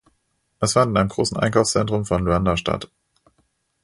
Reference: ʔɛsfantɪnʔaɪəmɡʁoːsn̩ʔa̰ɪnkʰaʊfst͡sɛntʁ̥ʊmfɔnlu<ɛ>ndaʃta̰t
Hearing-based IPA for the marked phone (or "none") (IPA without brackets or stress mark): a